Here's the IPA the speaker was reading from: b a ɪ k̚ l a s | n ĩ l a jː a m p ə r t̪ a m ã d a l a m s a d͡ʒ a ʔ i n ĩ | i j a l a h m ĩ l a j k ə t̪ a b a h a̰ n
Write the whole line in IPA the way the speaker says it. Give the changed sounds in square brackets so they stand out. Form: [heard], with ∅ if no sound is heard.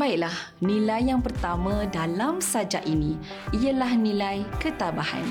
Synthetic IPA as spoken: b a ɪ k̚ l a [h] | n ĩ l a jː a [ŋ] p ə r t̪ a m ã d a l a m s a d͡ʒ a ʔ i n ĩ | i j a l a h [n] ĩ l a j k ə t̪ a b a h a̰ n